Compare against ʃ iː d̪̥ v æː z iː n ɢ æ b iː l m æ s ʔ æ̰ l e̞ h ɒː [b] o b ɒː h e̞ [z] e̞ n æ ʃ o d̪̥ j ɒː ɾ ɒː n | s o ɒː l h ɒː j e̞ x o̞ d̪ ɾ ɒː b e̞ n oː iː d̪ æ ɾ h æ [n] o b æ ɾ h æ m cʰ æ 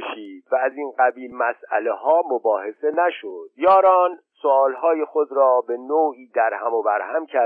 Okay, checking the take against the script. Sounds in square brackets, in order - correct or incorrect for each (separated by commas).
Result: incorrect, incorrect, incorrect